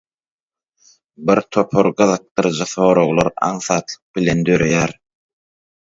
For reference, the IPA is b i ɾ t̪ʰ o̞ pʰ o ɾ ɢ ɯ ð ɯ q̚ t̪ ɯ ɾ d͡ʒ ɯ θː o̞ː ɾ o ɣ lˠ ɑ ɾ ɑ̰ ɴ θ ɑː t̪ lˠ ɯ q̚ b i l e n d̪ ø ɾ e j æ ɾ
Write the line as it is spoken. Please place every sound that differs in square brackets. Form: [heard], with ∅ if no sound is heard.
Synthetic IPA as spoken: b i ɾ t̪ʰ o̞ pʰ o ɾ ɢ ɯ ð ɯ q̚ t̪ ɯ ɾ d͡ʒ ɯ [θ] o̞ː ɾ o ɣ lˠ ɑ ɾ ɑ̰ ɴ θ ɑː t̪ lˠ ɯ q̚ b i l e n d̪ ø ɾ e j æ ɾ